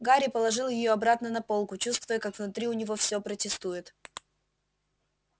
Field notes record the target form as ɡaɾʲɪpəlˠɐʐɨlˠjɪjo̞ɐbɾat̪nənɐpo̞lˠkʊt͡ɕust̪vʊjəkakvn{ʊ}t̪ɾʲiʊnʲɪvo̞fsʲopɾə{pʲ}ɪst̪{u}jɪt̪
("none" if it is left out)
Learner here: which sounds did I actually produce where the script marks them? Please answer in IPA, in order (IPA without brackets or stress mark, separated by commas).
ʊ, tʲ, u